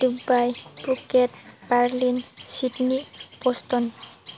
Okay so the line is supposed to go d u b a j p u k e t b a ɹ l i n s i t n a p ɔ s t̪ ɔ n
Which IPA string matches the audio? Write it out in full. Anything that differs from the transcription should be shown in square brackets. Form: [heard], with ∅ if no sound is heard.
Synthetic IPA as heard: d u b a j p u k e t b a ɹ l i n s i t n [i] p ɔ s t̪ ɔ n